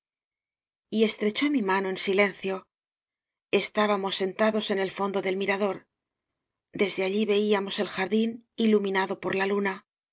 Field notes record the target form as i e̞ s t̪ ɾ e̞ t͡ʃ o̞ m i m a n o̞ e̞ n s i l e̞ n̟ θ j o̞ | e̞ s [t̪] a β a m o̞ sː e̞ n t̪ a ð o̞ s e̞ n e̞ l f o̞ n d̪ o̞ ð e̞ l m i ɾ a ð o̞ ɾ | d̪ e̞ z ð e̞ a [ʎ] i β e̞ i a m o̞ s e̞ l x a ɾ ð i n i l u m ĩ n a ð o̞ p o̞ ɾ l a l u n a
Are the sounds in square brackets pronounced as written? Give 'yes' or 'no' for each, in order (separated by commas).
yes, yes